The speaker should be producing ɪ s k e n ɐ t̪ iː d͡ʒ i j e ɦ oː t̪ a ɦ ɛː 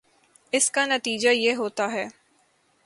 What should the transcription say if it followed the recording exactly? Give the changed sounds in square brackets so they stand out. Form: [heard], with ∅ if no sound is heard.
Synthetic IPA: ɪ s k [a] n ɐ t̪ iː d͡ʒ [a] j e ɦ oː t̪ a ɦ ɛː